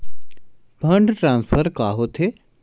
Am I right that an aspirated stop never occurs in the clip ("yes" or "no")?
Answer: no